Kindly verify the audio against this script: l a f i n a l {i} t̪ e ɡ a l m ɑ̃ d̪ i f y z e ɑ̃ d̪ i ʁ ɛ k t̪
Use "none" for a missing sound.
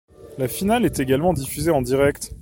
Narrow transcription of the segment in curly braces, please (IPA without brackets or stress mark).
ɛ